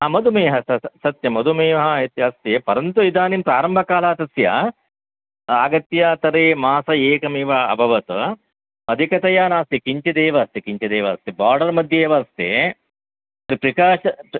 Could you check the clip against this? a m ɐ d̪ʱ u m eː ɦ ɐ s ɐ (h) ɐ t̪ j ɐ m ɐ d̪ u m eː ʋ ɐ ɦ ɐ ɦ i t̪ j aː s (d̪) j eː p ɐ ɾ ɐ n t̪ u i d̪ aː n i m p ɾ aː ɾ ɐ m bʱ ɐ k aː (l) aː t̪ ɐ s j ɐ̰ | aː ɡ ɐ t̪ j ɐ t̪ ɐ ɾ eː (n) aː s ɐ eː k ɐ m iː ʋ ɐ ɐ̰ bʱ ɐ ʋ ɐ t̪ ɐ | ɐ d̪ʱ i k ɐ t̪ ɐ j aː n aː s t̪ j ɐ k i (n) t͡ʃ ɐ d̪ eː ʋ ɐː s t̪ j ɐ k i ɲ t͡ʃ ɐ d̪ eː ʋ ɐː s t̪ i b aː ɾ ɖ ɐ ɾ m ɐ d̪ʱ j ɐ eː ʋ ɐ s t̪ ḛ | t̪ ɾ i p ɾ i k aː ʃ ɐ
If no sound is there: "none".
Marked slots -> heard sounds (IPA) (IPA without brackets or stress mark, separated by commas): s, t̪, l, m, ɲ